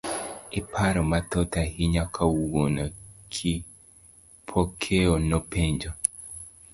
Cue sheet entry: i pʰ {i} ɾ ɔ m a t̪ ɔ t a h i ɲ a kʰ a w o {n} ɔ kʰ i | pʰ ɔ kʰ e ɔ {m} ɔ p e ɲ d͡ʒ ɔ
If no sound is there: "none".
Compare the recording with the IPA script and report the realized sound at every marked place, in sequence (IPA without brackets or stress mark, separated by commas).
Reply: a, n, n